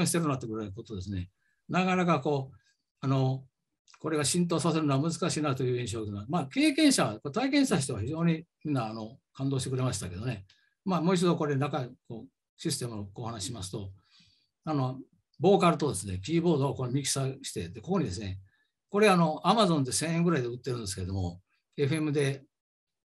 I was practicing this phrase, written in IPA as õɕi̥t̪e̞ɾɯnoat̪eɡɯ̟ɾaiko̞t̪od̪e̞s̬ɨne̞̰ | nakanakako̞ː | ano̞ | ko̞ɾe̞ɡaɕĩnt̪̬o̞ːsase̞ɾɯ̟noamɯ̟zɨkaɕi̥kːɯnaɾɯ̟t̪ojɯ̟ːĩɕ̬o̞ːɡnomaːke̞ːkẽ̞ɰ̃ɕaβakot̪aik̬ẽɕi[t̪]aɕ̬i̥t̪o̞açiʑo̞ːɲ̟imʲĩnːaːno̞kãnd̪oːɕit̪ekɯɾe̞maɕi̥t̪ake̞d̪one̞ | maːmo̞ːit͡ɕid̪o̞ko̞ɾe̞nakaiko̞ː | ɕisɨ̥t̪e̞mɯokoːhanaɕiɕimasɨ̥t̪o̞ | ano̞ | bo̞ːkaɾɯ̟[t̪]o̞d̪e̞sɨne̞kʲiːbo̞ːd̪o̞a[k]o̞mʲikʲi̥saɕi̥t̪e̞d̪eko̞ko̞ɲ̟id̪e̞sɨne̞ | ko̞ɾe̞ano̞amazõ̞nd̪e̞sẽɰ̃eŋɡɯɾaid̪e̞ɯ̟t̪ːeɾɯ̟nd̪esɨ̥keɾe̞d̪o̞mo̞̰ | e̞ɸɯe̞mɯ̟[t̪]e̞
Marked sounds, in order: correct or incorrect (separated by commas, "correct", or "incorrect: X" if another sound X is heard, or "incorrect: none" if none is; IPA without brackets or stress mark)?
correct, correct, correct, incorrect: d̪